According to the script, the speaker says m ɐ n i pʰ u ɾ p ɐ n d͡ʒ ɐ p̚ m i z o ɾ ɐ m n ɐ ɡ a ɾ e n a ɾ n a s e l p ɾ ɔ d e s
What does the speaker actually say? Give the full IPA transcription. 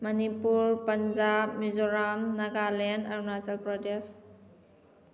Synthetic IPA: m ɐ n i p u ɾ p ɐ n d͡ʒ a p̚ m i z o ɾ a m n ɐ ɡ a l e n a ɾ n a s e l p ɾ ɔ d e s